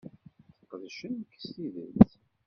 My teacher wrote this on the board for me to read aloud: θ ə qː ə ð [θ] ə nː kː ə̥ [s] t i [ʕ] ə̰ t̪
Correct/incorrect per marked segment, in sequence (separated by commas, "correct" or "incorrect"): incorrect, correct, incorrect